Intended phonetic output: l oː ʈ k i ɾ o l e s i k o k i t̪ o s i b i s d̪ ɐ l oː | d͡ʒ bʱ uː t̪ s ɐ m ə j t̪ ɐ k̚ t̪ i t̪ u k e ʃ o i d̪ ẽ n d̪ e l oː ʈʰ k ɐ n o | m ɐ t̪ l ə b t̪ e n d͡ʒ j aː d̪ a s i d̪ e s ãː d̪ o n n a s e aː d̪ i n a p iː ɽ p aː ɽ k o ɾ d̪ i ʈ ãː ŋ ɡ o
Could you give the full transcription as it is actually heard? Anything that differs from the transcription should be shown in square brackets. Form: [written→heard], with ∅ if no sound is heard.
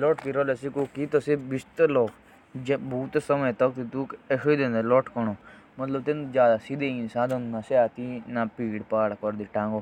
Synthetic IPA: l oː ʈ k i ɾ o l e s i k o k i t̪ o s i b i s [d̪→t̪] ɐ l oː | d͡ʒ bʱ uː t̪ s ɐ m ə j t̪ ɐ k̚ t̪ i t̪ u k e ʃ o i d̪ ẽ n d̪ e l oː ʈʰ k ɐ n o | m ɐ t̪ l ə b t̪ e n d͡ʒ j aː d̪ a s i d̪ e s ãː d̪ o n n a s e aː [d̪→t̪] i n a p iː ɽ p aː ɽ k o ɾ d̪ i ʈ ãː ŋ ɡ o